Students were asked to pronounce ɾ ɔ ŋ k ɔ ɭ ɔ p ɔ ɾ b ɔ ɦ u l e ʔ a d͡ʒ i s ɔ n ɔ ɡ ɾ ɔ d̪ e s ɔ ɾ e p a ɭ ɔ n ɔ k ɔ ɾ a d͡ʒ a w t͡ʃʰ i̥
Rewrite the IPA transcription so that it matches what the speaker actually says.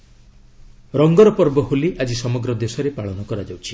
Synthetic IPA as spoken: ɾ ɔ ŋ ɡ ɔ ɾ ɔ p ɔ ɾ b ɔ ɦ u l i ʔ a d͡ʒ i s ɔ m ɔ ɡ ɾ ɔ d̪ e s ɔ ɾ e p a ɭ ɔ n ɔ k ɔ ɾ a d͡ʒ a w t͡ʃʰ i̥

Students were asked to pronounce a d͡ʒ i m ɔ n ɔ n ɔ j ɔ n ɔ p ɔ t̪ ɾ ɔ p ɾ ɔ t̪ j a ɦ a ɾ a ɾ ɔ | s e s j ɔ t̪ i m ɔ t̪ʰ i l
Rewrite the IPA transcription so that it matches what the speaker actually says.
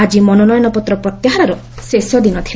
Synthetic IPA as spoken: a d͡ʒ i m ɔ n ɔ n ɔ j ɔ n ɔ p ɔ t̪ ɾ ɔ p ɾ ɔ t̪ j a ɦ a ɾ a ɾ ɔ | s e s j ɔ d̪ i n ɔ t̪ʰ i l

